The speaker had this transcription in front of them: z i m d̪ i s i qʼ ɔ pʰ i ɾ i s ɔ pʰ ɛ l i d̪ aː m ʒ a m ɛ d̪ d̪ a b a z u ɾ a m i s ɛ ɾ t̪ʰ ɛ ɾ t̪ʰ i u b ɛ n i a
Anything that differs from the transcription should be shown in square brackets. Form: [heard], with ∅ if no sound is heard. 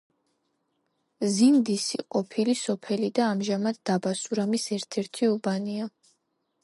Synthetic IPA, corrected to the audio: z i [n] d̪ i s i qʼ ɔ pʰ i [l] i s ɔ pʰ ɛ l i d̪ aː m ʒ a m [a] d̪ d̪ a b a [s] u ɾ a m i s ɛ ɾ t̪ʰ ɛ ɾ t̪ʰ i u b [a] n i a